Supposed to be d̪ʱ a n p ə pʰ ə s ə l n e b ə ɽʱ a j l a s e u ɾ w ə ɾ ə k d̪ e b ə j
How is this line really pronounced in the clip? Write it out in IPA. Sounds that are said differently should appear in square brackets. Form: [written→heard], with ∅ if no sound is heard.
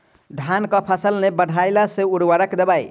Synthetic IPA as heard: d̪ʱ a n [p→k] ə pʰ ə s ə l n e b ə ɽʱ a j l a s e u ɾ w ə ɾ ə k d̪ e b [ə→a] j